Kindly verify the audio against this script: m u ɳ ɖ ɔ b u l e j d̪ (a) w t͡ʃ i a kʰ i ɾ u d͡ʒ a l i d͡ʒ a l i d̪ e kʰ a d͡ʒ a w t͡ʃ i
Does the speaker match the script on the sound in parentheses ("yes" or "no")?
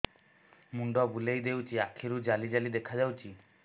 no